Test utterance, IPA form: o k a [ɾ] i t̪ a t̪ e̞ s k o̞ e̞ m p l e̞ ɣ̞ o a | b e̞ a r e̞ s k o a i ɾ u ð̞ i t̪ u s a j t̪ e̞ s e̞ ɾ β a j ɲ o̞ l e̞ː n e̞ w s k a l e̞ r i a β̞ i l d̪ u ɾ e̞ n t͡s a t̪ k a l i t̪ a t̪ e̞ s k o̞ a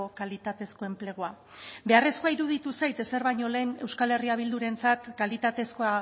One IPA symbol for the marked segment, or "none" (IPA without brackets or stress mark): l